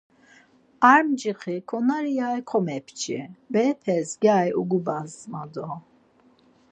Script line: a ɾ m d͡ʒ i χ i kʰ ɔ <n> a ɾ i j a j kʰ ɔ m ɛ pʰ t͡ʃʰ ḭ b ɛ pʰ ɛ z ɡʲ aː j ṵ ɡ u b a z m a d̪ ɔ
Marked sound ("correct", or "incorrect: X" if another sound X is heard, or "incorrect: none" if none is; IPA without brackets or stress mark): correct